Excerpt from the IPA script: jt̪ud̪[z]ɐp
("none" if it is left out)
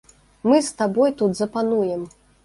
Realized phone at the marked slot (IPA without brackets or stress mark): z